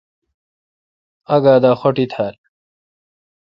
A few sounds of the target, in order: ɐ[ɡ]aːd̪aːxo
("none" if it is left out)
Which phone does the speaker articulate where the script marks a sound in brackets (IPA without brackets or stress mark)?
ɡ